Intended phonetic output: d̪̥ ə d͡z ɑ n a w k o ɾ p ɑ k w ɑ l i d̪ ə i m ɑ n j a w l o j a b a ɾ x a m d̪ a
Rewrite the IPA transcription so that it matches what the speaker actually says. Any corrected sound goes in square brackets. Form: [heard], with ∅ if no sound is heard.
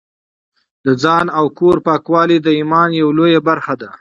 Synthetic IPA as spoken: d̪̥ ə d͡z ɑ n a w k o ɾ p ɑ k w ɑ l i d̪ ə i m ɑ n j a w l o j a b a ɾ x a [∅] d̪ a